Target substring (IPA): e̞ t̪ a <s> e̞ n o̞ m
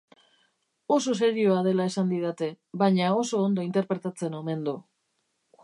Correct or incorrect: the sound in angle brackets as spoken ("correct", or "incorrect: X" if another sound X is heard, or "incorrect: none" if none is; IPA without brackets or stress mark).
incorrect: t͡s